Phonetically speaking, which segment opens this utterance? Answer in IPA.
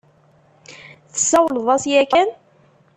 θ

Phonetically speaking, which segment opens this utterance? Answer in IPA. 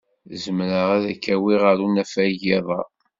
z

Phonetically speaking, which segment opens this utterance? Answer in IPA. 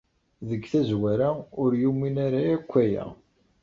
ð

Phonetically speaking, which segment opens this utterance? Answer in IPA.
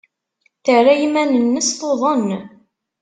θ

